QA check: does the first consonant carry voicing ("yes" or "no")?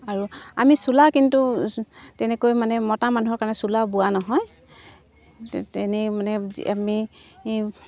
yes